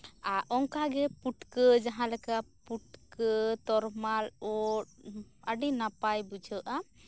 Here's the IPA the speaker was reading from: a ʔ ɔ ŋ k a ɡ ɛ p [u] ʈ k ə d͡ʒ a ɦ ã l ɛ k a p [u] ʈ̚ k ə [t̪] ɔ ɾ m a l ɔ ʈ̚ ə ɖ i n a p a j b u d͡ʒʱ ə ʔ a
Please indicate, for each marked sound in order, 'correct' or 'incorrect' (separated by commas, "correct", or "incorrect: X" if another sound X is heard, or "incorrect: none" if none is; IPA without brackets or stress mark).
correct, correct, correct